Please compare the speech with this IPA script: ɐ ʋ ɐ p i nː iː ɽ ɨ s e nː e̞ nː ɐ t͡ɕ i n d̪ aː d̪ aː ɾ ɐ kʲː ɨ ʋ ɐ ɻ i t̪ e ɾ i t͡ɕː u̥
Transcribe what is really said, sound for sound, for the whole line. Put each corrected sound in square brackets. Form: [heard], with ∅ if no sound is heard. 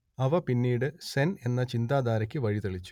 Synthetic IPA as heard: ɐ ʋ ɐ p i nː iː ɽ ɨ s e [n] e̞ nː ɐ t͡ɕ i n d̪ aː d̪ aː ɾ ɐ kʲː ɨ ʋ ɐ ɻ i t̪ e [ɭ] i t͡ɕː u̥